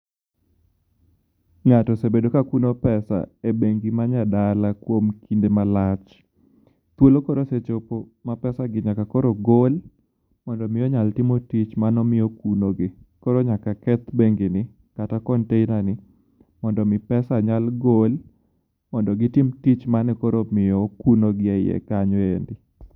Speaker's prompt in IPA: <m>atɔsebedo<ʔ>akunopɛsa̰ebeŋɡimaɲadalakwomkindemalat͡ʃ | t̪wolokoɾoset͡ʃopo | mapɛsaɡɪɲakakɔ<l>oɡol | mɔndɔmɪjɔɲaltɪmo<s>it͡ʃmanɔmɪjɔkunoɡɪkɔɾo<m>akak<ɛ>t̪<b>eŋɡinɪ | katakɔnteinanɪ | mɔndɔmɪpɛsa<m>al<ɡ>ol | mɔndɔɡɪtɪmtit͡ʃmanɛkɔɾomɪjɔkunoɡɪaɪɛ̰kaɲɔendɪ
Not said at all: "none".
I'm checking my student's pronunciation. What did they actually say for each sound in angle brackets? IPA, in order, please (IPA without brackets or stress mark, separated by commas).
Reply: ŋ, k, ɾ, t, ɲ, ɛ, b, ɲ, ɡ